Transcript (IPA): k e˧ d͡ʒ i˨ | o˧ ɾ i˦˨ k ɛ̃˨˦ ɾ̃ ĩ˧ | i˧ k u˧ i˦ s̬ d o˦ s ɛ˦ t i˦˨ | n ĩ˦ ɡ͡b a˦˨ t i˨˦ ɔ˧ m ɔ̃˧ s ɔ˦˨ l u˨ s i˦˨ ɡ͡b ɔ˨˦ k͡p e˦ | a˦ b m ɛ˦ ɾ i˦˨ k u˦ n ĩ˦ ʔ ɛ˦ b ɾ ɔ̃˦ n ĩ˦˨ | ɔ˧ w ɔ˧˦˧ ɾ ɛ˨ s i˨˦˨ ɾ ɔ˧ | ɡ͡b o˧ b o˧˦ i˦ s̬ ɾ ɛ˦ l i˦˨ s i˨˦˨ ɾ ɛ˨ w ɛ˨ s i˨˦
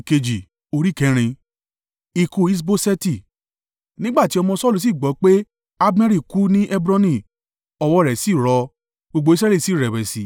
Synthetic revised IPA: k e˧ d͡ʒ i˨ | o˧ ɾ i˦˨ k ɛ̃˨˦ ɾ̃ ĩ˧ | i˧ k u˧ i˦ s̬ b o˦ s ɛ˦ t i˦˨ | n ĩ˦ ɡ͡b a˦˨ t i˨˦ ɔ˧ m ɔ̃˧ s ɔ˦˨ l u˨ s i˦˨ ɡ͡b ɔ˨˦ k͡p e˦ | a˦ b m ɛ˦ ɾ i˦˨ k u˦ n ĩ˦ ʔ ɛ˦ b ɾ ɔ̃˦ n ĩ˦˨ | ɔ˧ w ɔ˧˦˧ ɾ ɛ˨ s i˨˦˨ ɾ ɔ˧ | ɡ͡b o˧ ɡ͡b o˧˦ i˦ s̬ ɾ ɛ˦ l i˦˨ s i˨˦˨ ɾ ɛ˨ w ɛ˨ s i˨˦